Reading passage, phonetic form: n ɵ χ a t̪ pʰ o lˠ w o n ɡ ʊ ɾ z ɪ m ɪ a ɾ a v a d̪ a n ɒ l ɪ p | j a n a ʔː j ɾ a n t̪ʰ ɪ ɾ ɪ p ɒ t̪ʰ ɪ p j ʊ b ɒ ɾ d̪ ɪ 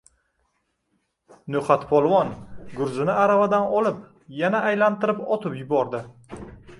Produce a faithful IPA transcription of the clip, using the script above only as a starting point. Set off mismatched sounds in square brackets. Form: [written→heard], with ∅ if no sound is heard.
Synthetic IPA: n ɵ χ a t̪ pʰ [o→ɒ] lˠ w [o→ɒ] n ɡ ʊ ɾ z ɪ [m→n] ɪ a ɾ a v a d̪ a n ɒ l ɪ p | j a n a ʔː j [ɾ→l] a n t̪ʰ ɪ ɾ ɪ p ɒ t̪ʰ ɪ p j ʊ b ɒ ɾ d̪ ɪ